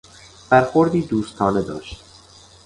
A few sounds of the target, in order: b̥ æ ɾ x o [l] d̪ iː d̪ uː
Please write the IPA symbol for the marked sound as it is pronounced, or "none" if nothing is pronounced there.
ɾ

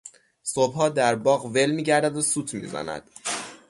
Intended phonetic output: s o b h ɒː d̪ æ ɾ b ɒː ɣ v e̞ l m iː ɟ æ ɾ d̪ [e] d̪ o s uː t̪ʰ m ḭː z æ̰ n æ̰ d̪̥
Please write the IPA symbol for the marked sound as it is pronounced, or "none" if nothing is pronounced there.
æ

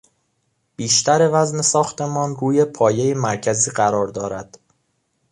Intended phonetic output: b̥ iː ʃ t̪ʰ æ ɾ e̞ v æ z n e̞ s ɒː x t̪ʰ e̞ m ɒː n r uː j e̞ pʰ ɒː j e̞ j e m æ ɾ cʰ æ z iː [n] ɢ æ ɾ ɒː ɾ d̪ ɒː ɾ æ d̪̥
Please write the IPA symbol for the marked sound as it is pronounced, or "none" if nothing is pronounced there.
none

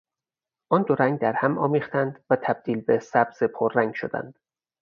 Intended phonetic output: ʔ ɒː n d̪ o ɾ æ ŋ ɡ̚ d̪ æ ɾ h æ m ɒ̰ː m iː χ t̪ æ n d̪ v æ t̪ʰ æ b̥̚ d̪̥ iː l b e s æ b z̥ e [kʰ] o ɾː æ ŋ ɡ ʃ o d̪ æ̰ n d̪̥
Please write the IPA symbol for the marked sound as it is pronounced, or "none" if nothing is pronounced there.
pʰ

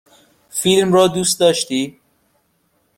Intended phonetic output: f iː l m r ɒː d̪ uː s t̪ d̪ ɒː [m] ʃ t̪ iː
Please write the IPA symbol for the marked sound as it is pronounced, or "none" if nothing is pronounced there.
none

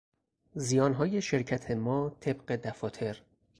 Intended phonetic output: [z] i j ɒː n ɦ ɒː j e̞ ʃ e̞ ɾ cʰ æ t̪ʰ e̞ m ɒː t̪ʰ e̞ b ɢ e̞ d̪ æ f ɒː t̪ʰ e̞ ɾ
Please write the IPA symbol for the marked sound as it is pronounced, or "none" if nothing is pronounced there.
z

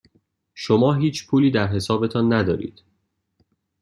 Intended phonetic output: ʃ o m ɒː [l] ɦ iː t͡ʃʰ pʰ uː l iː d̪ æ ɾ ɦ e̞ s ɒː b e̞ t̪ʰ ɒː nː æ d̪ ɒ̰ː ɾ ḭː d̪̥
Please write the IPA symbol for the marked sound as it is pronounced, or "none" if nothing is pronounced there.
none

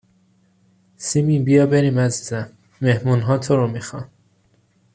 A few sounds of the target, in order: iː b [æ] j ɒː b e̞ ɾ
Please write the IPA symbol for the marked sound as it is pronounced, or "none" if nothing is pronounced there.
i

